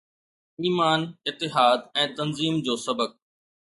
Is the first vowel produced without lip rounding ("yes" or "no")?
yes